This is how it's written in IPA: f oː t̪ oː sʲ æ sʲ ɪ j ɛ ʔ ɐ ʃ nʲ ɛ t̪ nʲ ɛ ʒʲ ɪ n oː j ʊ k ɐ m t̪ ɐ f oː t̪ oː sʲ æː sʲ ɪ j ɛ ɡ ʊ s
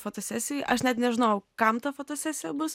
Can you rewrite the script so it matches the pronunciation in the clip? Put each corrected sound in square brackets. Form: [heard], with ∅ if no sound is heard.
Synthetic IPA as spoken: f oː t̪ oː sʲ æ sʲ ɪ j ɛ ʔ ɐ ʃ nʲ ɛ t̪ nʲ ɛ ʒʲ ɪ n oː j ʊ k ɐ m t̪ ɐ f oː t̪ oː sʲ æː sʲ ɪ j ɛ [b] ʊ s